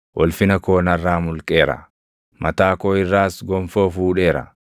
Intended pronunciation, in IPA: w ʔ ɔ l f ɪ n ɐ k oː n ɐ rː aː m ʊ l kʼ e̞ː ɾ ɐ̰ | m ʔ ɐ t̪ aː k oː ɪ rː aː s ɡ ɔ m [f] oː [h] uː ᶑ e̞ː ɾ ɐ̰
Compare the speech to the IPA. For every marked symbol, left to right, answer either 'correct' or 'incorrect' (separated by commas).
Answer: correct, incorrect